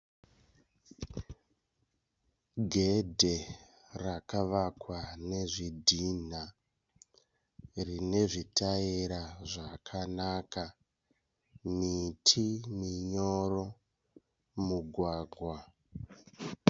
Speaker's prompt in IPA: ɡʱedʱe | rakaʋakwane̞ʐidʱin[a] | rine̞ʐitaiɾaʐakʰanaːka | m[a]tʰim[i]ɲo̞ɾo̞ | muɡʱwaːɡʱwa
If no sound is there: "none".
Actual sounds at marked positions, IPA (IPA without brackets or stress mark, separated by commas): a, i, i